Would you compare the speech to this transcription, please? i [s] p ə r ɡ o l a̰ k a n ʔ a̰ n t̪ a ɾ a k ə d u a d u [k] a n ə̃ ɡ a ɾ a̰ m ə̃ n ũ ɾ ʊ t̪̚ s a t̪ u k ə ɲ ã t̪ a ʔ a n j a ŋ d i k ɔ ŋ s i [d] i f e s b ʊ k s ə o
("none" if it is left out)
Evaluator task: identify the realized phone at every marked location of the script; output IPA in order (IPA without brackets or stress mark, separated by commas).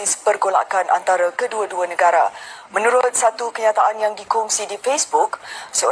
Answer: s, none, d